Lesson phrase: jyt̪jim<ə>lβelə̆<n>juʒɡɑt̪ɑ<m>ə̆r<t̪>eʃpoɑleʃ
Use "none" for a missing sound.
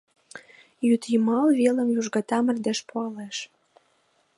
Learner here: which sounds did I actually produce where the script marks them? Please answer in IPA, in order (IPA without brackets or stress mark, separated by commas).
ɑ, m, m, d̪